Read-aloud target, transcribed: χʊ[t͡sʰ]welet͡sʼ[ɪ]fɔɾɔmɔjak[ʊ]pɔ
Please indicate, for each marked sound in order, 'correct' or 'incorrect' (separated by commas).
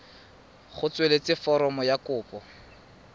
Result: incorrect, correct, incorrect